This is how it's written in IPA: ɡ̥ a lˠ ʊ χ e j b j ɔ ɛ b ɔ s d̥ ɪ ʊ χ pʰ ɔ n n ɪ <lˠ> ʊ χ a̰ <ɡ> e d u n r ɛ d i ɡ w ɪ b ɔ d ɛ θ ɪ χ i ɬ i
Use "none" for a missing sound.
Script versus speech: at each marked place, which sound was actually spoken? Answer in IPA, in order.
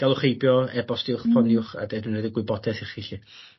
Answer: none, d

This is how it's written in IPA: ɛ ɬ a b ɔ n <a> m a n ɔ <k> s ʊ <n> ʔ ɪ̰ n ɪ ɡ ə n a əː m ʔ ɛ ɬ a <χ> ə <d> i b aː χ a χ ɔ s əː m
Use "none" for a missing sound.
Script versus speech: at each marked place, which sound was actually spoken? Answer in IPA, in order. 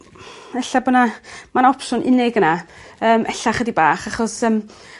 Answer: a, p, n, χ, d

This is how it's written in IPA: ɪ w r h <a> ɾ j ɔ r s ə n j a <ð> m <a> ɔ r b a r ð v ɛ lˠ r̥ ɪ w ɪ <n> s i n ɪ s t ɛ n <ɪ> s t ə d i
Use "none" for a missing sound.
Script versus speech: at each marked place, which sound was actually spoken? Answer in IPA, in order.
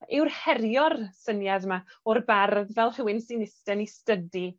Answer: ɛ, ð, a, n, i

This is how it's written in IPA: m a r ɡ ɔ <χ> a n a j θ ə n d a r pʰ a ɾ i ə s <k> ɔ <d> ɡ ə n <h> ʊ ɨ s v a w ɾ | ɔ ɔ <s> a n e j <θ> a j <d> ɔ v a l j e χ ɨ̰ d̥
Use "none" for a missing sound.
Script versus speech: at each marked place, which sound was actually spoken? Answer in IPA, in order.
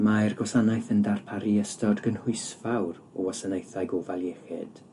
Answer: s, t, d, h, s, θ, ɡ

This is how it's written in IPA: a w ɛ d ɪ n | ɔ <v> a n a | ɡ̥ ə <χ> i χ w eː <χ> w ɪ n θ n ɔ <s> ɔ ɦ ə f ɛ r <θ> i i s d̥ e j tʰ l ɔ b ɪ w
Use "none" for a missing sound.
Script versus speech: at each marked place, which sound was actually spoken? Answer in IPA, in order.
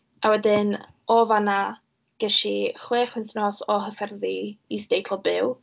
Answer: v, ʃ, χ, s, ð

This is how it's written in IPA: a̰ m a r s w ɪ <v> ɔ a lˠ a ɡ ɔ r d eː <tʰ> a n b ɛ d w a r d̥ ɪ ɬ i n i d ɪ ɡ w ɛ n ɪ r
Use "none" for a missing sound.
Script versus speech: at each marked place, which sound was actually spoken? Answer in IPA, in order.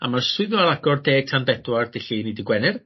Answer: ð, tʰ

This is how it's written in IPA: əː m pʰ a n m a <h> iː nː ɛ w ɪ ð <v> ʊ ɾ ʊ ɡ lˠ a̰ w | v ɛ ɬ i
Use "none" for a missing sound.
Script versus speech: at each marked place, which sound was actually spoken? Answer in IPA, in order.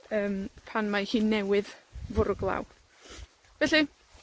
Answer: h, v

